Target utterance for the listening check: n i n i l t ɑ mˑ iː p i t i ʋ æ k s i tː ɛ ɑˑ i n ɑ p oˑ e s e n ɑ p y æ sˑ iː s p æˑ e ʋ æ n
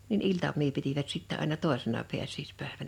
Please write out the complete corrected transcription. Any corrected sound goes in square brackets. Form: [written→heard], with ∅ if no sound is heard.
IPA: n i n i l t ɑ mˑ iː p i t i ʋ æ [k→t] s i tː ɛ ɑˑ i n ɑ [p→t] oˑ e s e n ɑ p [y→i] æ sˑ iː s p æˑ e ʋ æ n